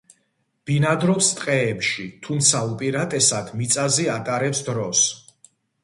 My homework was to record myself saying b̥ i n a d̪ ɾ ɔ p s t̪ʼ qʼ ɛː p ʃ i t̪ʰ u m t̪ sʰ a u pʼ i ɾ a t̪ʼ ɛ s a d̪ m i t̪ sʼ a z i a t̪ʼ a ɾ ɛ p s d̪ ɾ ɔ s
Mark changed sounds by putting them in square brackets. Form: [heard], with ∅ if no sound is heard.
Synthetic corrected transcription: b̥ i n a d̪ ɾ ɔ p s t̪ʼ qʼ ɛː p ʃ i t̪ʰ u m t̪ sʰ a u pʼ i ɾ a t̪ʼ ɛ s a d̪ m i t̪ sʼ a z i a t̪ʼ a ɾ ɛ p s d̪ ɾ ɔ s